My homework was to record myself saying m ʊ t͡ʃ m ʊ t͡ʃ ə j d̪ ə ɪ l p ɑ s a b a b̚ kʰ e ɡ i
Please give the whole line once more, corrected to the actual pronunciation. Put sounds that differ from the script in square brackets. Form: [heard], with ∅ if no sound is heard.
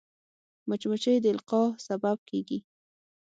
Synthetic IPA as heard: m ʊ t͡ʃ m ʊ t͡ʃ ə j d̪ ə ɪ l [q] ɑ s a b a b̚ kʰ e ɡ i